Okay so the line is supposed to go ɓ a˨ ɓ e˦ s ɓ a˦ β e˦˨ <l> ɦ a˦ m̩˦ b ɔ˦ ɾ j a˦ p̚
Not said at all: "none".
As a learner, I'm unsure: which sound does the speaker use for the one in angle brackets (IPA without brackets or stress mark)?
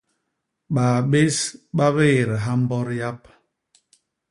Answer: ɾ